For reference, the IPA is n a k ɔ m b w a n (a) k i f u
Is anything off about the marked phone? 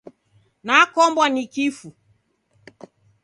yes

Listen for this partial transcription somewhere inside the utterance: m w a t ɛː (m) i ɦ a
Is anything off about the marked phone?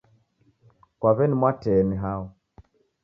yes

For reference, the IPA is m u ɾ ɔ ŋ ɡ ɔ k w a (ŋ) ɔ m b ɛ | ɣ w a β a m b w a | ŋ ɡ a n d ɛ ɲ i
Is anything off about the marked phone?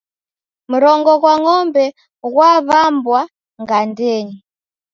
no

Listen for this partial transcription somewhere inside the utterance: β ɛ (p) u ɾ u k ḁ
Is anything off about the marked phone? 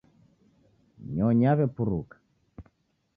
no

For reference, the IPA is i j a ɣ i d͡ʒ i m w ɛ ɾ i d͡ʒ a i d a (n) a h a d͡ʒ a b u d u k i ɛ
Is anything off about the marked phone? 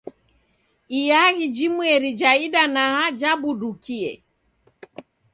no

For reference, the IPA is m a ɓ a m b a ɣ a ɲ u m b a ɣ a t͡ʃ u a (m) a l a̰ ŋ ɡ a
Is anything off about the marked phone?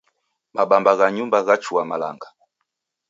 no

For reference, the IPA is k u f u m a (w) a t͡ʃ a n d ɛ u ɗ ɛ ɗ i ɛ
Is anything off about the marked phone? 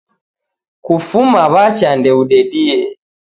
yes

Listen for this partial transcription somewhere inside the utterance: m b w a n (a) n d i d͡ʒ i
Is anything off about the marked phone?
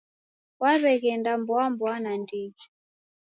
no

